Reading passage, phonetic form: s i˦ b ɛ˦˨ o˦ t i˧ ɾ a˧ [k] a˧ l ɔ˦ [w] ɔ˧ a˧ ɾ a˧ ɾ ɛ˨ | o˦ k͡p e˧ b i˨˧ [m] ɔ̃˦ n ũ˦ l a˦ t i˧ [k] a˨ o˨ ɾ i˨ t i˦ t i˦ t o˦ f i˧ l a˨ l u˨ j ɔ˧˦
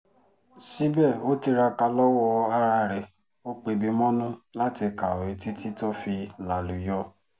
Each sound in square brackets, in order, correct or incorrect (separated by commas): correct, correct, correct, correct